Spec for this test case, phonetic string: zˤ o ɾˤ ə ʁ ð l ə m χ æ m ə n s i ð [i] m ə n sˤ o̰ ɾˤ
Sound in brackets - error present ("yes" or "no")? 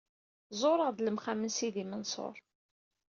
no